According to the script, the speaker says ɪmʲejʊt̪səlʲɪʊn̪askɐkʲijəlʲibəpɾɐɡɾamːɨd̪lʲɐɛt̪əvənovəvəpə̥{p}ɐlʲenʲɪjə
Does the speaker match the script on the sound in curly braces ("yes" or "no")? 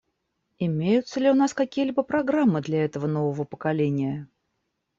no